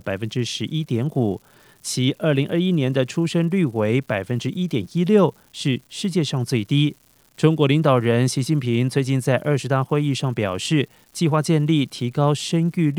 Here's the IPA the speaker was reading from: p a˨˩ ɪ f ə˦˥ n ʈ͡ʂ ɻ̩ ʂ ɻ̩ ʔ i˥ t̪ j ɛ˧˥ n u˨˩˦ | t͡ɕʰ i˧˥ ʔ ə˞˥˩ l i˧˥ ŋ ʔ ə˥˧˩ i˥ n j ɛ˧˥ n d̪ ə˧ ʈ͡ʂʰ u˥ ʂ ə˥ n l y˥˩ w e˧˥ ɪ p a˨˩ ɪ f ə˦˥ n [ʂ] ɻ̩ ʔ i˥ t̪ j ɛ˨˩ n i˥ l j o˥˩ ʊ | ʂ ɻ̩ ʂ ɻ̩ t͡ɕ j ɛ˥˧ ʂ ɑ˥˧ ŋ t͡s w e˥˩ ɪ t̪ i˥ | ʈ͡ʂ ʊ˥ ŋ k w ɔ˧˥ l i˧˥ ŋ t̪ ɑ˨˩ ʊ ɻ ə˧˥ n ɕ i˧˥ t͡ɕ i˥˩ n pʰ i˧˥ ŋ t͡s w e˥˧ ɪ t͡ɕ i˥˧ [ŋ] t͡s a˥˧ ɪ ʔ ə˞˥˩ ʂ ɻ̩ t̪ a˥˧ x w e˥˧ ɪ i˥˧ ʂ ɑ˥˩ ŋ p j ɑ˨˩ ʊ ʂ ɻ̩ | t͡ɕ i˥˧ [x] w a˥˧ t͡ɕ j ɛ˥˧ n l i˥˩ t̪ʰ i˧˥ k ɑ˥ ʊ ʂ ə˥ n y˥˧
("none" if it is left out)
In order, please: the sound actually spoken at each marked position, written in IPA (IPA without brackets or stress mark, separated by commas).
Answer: ʈ͡ʂ, n, x